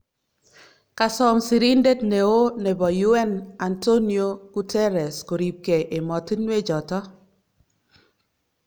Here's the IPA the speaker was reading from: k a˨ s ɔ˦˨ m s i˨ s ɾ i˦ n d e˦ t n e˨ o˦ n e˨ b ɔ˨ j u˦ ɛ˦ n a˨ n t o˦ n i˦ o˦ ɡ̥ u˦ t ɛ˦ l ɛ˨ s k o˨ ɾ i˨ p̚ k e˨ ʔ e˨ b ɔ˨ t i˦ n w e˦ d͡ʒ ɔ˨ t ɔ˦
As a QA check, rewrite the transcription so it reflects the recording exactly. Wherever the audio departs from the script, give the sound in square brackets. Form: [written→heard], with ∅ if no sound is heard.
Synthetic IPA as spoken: k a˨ s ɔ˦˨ m s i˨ [s→∅] ɾ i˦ n d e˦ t n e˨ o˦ n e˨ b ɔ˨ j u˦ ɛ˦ n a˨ n t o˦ n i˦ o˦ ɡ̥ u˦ t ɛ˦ [l→ɾ] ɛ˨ s k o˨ ɾ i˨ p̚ k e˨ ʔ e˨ [b→m] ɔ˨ t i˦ n w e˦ d͡ʒ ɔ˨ t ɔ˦